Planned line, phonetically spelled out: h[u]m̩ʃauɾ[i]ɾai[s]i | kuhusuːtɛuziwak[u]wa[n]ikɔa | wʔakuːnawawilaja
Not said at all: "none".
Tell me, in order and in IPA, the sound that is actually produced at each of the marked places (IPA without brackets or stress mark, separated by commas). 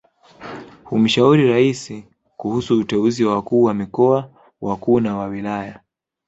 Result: u, i, s, uː, m